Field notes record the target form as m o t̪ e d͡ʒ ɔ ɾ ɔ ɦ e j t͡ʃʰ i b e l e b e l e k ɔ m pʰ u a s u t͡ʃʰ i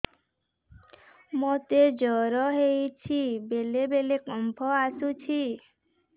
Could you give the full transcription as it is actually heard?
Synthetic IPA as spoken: m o t̪ e d͡ʒ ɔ ɾ ɔ ɦ e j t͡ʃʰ i b e l e b e l e k ɔ m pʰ ɔ a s u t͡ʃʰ i